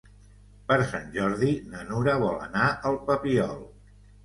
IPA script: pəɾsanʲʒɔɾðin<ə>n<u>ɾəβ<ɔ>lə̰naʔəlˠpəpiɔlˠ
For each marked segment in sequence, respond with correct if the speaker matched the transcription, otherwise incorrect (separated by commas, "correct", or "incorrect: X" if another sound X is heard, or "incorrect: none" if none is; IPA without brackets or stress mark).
correct, correct, correct